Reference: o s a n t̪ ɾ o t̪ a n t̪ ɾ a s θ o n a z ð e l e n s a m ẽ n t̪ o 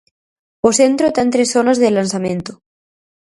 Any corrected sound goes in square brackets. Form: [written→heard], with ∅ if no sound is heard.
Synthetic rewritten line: o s [a→e] n t̪ ɾ o t̪ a n t̪ ɾ [a→e] s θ o n a z ð e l [e→a] n s a m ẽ n t̪ o